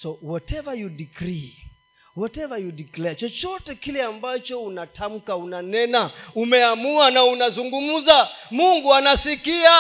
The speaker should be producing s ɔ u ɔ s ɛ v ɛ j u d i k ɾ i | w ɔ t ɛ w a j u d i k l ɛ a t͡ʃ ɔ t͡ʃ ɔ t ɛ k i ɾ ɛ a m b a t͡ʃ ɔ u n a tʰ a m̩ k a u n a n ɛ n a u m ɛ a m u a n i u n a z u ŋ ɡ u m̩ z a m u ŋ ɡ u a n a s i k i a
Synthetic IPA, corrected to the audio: s ɔ w ɔ t ɛ v a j u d i k ɾ i | w ɔ t ɛ v a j u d i k l ɛ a t͡ʃ ɔ t͡ʃ ɔ t ɛ k i l ɛ a m b a t͡ʃ ɔ u n a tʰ a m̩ k a u n a n ɛ n a u m ɛ a m u a n a u n a z u ŋ ɡ u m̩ z a m u ŋ ɡ u a n a s i k i a